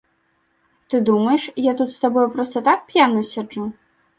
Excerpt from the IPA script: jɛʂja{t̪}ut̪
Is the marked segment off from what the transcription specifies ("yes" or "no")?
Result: no